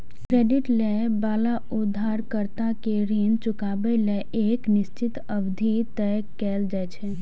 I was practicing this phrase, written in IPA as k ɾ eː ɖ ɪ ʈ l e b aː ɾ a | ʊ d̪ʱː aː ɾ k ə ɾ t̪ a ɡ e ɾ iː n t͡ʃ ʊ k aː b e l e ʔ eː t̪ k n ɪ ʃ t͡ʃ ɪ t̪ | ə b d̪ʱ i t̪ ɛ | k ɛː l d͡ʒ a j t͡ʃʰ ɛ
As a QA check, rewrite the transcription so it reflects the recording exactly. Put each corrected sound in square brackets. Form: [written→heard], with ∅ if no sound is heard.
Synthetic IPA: k ɾ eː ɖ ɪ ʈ l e b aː [ɾ→l] a | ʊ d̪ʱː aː ɾ k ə ɾ t̪ a [ɡ→k] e ɾ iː n t͡ʃ ʊ k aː b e l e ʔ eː [t̪→∅] k n ɪ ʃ t͡ʃ ɪ t̪ | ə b d̪ʱ i t̪ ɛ | k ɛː l d͡ʒ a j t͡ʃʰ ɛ